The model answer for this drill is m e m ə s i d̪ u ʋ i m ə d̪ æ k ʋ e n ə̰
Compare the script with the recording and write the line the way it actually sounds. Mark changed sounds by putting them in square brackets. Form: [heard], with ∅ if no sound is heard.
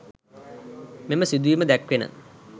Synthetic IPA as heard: m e m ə s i d̪ u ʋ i m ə d̪ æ k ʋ e n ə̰